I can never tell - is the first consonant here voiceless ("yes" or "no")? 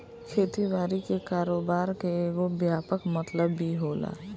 yes